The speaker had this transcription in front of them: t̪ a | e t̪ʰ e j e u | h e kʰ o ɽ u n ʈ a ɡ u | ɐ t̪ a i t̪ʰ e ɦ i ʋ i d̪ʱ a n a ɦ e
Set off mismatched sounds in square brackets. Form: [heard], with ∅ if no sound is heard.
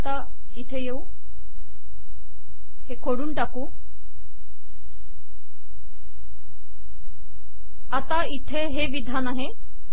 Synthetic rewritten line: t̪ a | [i] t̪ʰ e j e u | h e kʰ o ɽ u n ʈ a [k] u | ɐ t̪ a i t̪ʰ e ɦ [e] ʋ i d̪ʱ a n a ɦ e